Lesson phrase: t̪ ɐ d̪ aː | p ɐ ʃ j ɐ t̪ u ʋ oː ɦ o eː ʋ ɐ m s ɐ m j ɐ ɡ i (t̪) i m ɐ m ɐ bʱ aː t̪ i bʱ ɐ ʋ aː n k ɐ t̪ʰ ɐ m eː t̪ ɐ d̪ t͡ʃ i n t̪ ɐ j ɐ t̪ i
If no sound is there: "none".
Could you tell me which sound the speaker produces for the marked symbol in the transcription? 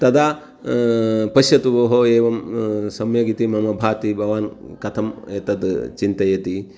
t̪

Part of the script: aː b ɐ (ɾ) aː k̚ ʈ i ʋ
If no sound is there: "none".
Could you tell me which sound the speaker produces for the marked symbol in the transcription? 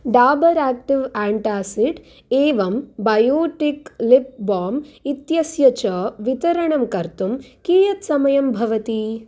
ɾ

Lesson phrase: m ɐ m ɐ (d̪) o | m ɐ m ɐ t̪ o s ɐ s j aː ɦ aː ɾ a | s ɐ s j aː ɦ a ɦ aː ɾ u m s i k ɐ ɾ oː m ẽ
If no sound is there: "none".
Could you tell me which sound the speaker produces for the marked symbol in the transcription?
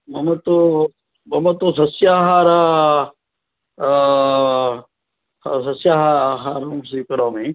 t̪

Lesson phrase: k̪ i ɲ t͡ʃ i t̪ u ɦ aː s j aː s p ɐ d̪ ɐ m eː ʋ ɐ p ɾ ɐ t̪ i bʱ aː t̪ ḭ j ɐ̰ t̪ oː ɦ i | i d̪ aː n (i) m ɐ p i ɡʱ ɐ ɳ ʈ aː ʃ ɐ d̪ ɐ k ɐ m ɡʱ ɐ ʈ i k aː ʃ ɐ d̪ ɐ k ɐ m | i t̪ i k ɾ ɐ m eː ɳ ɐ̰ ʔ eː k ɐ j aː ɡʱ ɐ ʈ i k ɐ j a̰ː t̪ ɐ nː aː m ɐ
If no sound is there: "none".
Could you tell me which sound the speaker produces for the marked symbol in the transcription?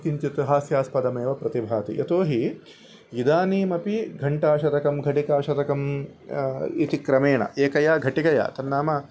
iː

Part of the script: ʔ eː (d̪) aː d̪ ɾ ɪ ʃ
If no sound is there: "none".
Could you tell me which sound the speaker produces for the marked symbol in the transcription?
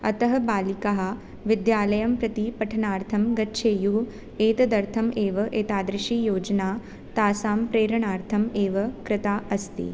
t̪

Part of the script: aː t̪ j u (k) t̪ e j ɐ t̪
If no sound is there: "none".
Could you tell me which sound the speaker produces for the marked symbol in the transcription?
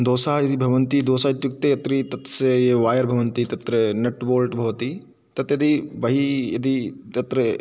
k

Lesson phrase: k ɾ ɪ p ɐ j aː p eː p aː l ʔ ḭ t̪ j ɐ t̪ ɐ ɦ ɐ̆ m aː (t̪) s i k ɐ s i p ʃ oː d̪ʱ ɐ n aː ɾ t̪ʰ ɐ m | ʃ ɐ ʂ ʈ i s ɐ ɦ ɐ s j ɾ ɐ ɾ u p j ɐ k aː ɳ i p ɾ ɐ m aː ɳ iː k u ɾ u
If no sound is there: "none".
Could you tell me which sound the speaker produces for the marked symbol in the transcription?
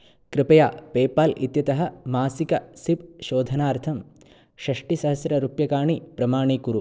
none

